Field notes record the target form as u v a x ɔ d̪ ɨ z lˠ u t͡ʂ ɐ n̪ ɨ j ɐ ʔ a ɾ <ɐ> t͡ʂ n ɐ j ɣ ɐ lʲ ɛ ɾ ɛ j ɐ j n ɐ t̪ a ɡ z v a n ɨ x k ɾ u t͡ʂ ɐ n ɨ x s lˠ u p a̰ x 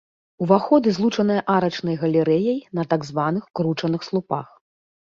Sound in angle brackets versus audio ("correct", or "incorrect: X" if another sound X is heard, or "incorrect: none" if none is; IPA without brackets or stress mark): correct